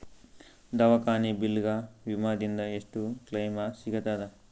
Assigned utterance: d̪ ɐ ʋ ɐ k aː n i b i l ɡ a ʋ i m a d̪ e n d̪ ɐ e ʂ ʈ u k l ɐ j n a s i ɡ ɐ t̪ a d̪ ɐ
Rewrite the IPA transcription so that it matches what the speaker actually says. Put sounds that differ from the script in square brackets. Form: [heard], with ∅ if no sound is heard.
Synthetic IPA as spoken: d̪ ɐ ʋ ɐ k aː n i b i l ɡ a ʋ i m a d̪ [i] n d̪ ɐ e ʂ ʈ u k l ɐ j [m] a s i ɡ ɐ t̪ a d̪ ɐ